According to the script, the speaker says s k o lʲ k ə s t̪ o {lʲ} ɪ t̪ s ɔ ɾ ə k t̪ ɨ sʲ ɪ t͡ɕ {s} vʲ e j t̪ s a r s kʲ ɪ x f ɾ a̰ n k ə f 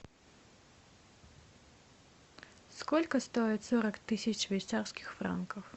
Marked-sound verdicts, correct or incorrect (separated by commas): incorrect, incorrect